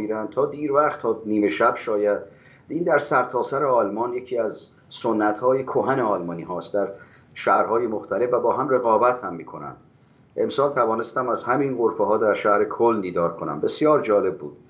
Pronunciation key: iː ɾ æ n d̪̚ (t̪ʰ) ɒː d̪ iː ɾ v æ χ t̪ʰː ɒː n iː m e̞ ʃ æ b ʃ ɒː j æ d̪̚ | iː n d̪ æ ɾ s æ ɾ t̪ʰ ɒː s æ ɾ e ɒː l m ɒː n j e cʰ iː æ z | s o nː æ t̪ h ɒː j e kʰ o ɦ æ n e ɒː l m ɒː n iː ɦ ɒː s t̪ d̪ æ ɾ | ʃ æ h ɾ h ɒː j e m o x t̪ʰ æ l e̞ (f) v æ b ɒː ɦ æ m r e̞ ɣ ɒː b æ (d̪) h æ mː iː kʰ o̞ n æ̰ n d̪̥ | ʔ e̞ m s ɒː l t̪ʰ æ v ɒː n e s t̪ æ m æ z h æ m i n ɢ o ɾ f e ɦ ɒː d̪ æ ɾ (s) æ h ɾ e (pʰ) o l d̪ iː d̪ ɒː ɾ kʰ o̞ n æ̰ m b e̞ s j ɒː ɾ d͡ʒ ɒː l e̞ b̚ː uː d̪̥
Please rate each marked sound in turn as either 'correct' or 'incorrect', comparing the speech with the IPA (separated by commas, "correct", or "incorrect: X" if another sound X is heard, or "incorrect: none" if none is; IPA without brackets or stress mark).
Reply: correct, correct, incorrect: t̪, incorrect: ʃ, incorrect: kʰ